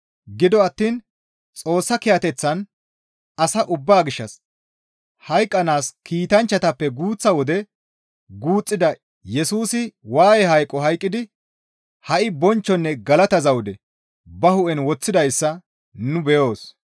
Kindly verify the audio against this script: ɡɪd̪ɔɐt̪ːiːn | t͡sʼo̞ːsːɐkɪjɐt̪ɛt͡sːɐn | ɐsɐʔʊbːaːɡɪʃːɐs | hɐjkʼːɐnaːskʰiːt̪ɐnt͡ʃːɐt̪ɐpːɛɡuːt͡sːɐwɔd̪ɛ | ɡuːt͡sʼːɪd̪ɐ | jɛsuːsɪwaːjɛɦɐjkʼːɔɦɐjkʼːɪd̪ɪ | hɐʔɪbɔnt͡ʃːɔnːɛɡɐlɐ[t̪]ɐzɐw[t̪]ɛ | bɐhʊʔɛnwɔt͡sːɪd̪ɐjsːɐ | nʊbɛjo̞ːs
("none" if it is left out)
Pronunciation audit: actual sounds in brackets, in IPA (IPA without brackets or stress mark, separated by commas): t̪, d̪